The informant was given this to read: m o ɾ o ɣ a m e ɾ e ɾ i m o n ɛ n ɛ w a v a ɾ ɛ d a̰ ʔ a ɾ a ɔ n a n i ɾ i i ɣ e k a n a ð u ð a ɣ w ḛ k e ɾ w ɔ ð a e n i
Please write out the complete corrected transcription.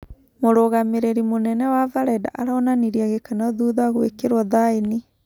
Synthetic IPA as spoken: m o ɾ o ɣ a m e ɾ e ɾ i m o n ɛ n ɛ w a v a ɾ ɛ d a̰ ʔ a ɾ a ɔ n a n i ɾ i a ɣ e k a n a ð u ð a ɣ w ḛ k e ɾ w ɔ ð a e n i